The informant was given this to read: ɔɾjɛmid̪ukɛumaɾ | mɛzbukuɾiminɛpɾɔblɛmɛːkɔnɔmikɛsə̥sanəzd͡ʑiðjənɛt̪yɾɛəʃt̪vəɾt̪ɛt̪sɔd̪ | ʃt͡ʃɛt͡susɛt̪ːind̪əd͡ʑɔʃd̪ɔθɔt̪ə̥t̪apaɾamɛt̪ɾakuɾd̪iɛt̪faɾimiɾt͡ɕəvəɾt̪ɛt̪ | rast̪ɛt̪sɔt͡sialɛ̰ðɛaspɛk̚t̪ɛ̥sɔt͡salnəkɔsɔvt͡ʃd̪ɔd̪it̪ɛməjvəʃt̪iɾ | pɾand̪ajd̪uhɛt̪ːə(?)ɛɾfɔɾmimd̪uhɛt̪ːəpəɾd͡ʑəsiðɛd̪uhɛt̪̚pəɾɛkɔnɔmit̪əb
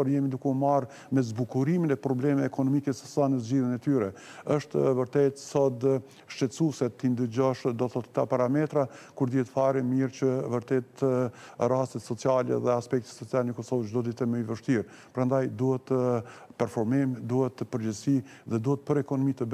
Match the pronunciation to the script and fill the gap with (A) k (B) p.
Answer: B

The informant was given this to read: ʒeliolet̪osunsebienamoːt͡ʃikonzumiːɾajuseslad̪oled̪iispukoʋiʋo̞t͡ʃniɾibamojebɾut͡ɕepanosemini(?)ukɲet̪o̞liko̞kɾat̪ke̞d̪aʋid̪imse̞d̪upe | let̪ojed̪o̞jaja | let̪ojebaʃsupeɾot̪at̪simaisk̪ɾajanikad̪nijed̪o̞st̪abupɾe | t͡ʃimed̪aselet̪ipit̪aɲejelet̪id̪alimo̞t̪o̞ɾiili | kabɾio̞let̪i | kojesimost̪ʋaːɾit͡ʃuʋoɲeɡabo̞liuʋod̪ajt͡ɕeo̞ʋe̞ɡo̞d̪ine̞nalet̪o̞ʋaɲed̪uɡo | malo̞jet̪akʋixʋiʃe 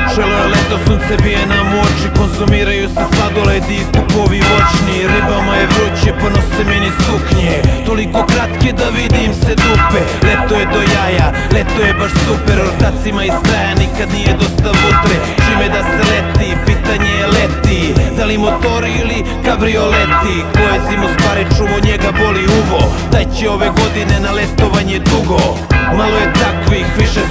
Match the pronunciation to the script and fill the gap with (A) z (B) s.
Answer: B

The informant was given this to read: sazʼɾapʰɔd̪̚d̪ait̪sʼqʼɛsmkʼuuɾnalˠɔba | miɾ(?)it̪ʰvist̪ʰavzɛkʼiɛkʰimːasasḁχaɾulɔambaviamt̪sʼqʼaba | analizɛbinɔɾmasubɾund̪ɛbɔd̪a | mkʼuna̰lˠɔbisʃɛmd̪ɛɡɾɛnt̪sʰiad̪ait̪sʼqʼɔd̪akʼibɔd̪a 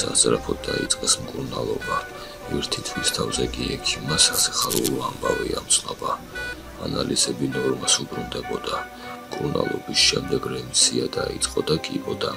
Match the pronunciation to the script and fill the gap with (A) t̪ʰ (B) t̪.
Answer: A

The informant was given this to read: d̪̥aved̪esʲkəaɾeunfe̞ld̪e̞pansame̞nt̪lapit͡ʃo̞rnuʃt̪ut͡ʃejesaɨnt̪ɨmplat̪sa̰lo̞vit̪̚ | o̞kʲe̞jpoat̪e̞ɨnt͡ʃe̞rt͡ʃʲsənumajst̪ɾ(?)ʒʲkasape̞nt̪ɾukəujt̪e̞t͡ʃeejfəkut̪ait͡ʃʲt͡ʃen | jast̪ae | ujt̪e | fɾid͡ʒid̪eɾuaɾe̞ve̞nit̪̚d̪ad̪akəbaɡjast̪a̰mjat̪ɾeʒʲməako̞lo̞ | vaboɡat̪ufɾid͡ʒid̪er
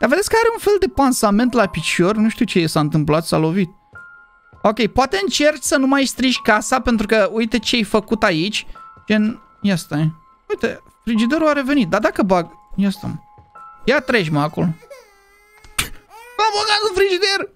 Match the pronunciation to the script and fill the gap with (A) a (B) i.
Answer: B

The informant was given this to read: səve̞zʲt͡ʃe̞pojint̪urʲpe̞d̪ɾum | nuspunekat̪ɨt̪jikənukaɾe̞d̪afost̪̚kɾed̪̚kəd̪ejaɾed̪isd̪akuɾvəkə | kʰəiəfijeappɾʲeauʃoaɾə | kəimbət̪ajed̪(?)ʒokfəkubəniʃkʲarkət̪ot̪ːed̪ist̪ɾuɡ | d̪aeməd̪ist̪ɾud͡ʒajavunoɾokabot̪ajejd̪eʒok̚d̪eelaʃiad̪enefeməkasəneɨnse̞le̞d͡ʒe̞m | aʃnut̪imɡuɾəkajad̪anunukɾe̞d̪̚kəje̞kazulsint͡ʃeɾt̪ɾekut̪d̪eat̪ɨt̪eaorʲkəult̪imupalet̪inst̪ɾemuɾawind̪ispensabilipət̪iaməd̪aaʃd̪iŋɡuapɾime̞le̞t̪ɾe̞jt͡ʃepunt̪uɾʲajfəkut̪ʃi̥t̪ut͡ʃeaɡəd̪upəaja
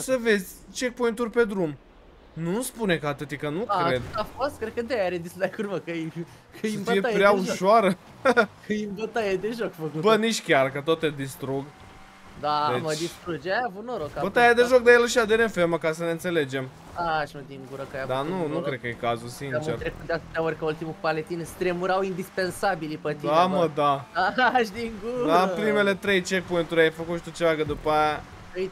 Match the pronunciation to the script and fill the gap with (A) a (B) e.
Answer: B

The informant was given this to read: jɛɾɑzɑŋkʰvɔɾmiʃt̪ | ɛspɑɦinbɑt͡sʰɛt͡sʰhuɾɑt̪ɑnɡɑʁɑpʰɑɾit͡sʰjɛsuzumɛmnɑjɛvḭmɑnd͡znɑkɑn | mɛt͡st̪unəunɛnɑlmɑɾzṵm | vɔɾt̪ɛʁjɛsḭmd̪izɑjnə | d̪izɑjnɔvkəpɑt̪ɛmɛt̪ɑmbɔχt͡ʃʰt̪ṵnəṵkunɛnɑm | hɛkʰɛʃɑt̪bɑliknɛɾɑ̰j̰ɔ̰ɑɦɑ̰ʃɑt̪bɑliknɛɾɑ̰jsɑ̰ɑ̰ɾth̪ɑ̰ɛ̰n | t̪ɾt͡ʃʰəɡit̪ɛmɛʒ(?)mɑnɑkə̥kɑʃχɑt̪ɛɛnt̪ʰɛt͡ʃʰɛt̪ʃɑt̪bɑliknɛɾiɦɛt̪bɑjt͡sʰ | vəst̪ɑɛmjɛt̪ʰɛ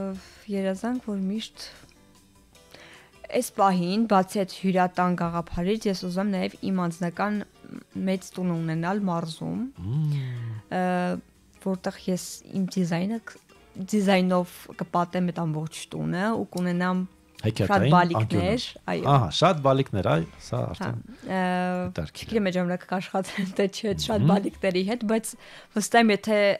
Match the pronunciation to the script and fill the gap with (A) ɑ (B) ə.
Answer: A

